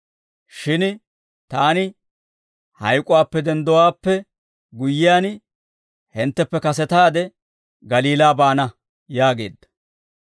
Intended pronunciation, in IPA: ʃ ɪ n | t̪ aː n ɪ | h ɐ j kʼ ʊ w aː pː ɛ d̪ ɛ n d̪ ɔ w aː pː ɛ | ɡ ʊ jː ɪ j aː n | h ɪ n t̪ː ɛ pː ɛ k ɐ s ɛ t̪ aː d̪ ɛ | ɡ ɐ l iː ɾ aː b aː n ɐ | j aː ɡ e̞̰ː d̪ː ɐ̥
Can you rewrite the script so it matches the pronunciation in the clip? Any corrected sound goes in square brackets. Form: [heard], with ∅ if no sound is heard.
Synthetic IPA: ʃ ɪ n | t̪ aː n ɪ | h ɐ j kʼ ʊ w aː pː ɛ d̪ ɛ n d̪ ɔ w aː pː ɛ | ɡ ʊ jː ɪ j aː n | h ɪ n t̪ː ɛ pː ɛ k ɐ s ɛ t̪ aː d̪ ɛ | ɡ ɐ l iː [l] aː b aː n ɐ | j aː ɡ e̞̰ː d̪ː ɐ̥